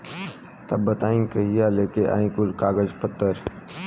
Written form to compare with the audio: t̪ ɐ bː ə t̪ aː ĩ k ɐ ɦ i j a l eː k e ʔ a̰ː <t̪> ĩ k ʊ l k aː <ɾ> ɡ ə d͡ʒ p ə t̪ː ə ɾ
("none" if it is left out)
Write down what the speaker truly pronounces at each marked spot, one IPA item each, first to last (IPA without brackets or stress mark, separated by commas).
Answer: none, none